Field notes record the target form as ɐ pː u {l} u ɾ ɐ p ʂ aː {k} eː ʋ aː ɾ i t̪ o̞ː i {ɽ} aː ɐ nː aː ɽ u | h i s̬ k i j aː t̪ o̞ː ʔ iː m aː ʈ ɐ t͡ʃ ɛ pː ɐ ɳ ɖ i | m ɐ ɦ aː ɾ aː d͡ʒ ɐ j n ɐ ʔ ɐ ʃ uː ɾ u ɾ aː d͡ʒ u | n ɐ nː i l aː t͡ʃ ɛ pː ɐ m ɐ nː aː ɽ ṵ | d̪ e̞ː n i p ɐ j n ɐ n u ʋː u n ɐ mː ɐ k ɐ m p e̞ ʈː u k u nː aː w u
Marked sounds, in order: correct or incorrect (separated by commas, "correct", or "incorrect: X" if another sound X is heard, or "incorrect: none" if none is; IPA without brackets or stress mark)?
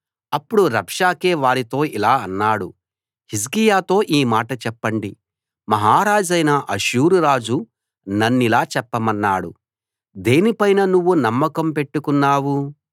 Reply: incorrect: ɽ, correct, incorrect: l